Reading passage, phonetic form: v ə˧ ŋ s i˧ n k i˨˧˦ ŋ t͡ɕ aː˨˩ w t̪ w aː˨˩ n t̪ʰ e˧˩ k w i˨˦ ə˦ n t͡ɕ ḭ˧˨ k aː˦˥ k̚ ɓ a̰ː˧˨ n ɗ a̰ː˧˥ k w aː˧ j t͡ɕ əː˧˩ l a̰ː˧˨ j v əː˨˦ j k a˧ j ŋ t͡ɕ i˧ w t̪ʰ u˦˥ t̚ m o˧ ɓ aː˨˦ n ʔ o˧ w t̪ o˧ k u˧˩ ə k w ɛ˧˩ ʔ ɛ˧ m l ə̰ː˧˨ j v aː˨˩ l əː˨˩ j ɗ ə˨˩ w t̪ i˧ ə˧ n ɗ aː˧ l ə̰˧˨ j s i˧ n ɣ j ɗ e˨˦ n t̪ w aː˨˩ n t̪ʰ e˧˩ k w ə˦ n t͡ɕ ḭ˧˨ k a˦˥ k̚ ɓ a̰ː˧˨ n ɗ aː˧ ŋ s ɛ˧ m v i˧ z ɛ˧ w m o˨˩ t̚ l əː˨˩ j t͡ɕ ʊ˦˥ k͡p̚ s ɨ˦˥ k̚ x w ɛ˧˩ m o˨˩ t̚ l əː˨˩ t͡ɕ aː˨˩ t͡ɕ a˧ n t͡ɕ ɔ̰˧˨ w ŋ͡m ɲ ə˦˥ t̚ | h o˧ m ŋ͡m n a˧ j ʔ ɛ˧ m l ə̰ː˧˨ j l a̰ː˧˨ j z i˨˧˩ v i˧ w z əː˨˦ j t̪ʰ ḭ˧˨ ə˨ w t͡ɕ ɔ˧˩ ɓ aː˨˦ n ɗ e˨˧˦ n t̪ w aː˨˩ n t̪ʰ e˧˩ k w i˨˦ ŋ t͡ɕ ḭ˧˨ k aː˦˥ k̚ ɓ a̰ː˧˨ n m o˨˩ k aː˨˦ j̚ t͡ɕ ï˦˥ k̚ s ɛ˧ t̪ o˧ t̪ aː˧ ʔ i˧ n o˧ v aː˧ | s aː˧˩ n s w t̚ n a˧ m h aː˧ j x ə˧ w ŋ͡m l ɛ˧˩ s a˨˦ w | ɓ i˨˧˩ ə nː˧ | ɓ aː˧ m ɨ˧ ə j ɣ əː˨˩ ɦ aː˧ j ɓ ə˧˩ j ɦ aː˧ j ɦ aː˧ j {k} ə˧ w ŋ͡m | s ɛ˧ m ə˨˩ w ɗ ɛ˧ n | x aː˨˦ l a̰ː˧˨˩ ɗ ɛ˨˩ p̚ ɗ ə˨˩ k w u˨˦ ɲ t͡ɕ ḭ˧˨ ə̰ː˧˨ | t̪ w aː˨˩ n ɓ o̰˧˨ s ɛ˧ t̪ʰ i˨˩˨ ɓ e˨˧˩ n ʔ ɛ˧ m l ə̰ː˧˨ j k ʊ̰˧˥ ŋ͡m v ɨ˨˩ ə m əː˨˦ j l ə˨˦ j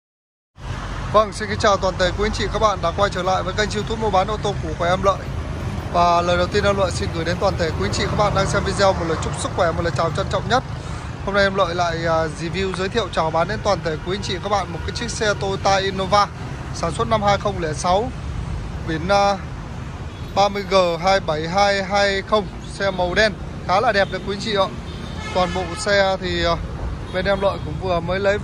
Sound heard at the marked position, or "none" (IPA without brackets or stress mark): x